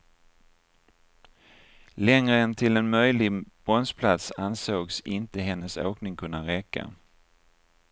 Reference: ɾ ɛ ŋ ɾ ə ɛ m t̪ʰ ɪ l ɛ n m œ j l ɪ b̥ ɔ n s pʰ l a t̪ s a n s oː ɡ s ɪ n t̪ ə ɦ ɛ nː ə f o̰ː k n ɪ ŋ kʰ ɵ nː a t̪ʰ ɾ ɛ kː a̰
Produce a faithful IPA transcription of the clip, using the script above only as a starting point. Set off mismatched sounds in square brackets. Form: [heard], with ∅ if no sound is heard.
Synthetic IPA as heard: [l] ɛ ŋ ɾ ə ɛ [n] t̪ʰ ɪ l ɛ n m œ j l ɪ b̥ ɔ n s pʰ l a t̪ s a n s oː ɡ s ɪ n t̪ ə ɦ ɛ nː ə [s] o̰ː k n ɪ ŋ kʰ ɵ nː a [∅] ɾ ɛ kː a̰